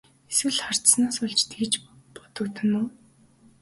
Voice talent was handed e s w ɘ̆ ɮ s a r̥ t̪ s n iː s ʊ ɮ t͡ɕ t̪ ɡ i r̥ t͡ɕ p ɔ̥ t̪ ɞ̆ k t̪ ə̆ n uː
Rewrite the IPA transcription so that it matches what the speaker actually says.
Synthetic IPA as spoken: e s w ɘ̆ ɮ χ a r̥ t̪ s n aː s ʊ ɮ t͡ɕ t̪ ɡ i t͡ɕ p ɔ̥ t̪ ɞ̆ k t̪ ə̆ n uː